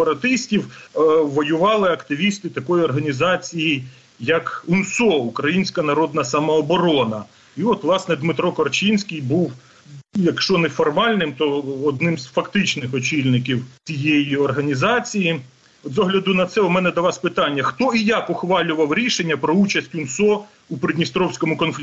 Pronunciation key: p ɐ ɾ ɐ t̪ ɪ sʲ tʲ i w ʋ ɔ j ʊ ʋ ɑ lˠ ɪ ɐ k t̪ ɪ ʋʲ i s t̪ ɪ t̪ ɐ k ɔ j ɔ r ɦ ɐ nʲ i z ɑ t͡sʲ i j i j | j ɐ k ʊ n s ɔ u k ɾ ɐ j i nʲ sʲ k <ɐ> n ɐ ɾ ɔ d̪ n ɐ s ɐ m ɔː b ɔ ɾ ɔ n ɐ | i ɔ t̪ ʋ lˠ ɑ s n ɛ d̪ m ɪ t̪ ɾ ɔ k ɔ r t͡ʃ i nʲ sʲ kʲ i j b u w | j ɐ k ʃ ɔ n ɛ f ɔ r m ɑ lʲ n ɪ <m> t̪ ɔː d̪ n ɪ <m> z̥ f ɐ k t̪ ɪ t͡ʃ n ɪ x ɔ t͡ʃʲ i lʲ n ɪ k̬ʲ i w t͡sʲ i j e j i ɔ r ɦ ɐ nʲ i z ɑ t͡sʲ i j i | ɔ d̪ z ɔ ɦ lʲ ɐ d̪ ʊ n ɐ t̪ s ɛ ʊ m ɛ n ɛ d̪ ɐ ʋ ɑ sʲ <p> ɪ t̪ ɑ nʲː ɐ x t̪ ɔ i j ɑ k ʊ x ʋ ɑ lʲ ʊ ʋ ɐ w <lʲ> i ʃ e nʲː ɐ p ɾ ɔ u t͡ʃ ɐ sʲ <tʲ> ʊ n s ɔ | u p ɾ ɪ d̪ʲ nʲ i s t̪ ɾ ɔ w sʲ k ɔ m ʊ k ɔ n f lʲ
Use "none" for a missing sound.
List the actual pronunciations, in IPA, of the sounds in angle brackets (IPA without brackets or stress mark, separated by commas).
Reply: ɐ, m, m, p, ɾʲ, tʲ